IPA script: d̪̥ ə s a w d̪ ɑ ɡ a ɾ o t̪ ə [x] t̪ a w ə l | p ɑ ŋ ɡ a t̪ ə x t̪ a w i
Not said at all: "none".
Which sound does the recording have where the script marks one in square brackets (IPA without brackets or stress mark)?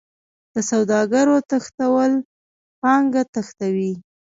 x